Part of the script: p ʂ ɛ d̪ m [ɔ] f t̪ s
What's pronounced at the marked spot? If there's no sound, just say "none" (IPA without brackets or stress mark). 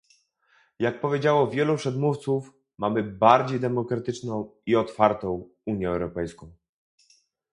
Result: u